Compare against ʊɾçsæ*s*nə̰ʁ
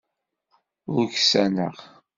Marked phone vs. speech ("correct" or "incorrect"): incorrect